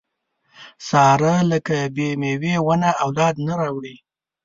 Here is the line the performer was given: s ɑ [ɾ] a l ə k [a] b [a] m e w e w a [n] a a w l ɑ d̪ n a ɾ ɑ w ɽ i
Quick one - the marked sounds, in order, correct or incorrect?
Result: correct, correct, incorrect: e, correct

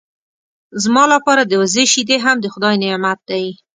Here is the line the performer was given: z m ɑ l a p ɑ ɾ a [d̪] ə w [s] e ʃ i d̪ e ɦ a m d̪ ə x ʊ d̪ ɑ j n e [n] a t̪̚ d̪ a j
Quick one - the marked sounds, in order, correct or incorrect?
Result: correct, incorrect: z, incorrect: m

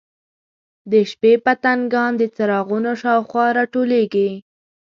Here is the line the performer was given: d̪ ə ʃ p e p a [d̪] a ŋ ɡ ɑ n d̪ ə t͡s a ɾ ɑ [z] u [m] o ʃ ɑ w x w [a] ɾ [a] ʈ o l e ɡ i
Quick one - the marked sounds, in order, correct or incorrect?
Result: incorrect: t̪, incorrect: ɣ, incorrect: n, incorrect: ɑ, incorrect: ɑ

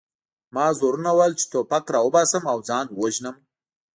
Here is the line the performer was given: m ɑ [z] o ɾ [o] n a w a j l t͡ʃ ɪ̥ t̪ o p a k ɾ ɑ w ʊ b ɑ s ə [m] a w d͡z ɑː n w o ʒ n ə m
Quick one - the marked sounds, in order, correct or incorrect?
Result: correct, incorrect: u, correct

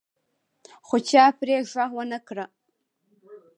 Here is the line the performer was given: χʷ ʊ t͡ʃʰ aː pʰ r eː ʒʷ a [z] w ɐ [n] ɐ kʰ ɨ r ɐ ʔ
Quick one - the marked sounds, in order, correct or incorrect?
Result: incorrect: ʁ, correct

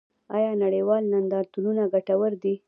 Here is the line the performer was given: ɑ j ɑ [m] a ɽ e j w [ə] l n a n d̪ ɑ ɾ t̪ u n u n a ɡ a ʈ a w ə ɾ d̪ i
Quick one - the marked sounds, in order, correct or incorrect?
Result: incorrect: n, incorrect: ɑ

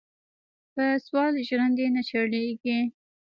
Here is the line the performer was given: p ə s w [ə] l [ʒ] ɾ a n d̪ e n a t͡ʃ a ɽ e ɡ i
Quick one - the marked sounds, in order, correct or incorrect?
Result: incorrect: ɑ, correct

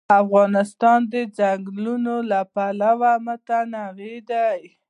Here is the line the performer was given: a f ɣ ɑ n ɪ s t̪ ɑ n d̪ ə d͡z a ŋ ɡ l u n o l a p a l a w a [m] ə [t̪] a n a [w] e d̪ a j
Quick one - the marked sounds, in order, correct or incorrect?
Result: correct, correct, incorrect: ɣ

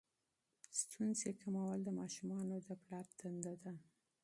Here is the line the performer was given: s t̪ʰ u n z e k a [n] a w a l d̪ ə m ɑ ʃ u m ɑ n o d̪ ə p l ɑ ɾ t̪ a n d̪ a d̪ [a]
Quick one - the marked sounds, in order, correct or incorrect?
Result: incorrect: m, correct

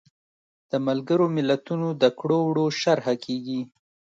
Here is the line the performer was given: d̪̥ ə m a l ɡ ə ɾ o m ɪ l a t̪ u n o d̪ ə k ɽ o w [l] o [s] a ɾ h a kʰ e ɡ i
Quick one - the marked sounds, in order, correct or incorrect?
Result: incorrect: ɽ, incorrect: ʃ

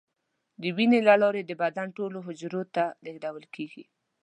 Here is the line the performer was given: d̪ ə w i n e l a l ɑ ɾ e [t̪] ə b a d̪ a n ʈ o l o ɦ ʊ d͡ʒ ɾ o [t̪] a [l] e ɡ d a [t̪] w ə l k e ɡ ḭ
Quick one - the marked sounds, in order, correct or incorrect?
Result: incorrect: d̪, correct, correct, incorrect: none

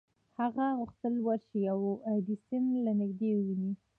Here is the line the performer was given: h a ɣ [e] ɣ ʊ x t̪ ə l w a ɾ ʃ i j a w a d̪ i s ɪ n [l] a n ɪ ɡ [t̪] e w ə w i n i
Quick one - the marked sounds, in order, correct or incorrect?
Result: incorrect: a, correct, incorrect: d̪

